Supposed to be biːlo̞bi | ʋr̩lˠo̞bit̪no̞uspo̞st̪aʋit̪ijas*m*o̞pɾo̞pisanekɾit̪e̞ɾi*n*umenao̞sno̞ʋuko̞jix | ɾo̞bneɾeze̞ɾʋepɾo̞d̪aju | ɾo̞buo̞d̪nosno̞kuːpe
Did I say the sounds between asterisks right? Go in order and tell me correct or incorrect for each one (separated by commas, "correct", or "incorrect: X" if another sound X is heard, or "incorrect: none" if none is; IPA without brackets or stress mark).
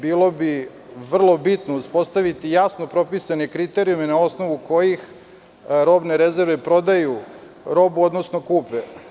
incorrect: n, incorrect: none